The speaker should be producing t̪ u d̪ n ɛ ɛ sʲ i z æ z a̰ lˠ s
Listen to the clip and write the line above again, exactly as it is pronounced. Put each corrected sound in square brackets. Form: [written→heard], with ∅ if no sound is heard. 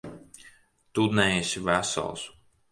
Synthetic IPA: t̪ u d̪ n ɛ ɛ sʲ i [z→v] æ [z→s] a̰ lˠ s